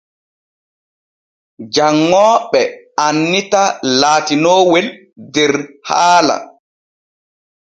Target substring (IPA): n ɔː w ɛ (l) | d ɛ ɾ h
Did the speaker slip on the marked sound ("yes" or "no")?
no